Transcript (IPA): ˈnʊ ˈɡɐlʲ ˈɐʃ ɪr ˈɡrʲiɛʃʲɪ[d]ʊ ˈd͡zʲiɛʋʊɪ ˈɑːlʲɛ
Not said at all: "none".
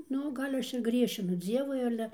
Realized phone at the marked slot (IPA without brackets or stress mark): n